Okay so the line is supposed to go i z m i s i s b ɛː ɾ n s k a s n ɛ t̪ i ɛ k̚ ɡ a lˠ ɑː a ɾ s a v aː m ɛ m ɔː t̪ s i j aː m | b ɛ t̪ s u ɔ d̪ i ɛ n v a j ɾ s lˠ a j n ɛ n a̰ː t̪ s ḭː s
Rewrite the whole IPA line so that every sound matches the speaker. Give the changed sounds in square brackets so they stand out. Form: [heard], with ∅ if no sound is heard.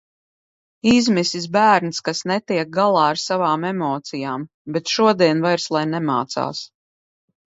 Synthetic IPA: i z m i s i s b [æː] ɾ n s k a s n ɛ t̪ i ɛ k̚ ɡ a lˠ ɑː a ɾ s a v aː m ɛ m ɔː t̪ s i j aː m | b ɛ t̪ [ʃ] u ɔ d̪ i ɛ n v a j ɾ s lˠ a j n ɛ [m] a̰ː t̪ s [a̰ː] s